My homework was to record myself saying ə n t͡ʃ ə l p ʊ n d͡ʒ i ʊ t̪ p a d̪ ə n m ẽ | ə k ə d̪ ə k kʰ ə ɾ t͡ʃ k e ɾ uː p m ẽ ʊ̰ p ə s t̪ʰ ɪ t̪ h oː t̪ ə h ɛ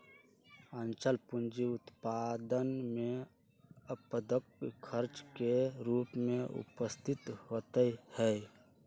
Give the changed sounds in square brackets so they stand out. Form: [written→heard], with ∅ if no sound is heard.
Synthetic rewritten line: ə n t͡ʃ ə l p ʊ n d͡ʒ i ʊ t̪ p a d̪ ə n m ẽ | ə [k→p] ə d̪ ə k kʰ ə ɾ t͡ʃ k e ɾ uː p m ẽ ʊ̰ p ə s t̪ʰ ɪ t̪ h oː t̪ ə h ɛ